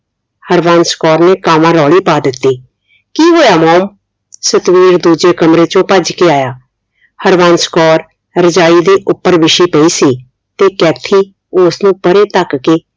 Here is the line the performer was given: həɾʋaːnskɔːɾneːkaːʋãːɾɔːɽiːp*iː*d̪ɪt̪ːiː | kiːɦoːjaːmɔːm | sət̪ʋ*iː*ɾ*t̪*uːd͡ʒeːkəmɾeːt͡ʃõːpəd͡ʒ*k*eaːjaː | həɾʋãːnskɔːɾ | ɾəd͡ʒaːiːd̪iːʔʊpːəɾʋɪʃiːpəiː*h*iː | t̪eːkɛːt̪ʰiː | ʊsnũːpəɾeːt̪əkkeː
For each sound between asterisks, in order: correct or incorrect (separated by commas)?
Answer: incorrect, correct, incorrect, correct, incorrect